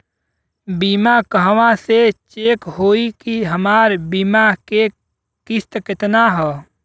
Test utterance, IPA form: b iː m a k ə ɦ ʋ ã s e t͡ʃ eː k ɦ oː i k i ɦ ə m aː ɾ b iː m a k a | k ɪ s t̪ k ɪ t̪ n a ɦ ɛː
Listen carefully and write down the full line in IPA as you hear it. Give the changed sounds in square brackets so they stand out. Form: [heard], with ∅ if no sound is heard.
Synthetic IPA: b iː m a k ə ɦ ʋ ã s e t͡ʃ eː k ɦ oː i k i ɦ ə m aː ɾ b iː m a k [e] | k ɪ s t̪ k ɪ t̪ n a ɦ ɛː